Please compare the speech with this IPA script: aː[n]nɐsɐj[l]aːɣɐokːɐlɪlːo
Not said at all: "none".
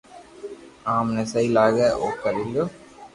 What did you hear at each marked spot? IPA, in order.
m, l

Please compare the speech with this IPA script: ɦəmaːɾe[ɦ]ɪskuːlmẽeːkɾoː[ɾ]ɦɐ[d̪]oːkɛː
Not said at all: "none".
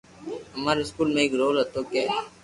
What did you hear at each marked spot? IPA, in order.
none, l, t̪

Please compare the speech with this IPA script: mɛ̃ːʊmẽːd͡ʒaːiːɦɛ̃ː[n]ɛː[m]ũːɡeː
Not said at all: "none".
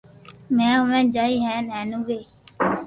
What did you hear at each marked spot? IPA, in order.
n, n

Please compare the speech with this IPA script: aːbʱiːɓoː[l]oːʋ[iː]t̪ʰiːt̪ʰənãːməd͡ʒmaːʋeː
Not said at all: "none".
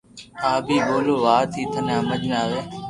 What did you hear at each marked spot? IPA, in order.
l, aː

